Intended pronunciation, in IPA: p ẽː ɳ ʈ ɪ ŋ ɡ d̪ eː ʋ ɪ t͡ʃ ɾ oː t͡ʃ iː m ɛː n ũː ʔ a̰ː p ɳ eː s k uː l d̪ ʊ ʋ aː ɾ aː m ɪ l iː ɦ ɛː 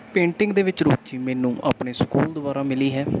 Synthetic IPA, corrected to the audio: p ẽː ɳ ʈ ɪ ŋ ɡ d̪ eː ʋ ɪ t͡ʃ ɾ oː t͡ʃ iː m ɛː n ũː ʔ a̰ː p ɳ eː s k uː l d̪ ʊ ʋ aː ɾ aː m ɪ l iː ɦ ɛː